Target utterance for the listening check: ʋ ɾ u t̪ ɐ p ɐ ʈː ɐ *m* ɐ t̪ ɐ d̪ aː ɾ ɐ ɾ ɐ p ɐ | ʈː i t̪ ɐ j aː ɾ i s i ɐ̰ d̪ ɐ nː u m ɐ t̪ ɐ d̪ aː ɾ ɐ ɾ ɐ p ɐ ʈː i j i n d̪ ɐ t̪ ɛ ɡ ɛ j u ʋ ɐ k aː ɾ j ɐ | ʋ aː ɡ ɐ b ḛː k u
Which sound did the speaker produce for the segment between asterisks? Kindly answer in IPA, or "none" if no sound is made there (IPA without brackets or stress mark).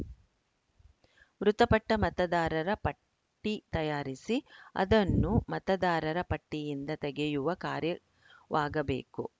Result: m